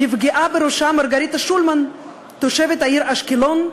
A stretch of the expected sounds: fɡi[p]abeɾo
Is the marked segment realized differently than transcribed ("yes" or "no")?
yes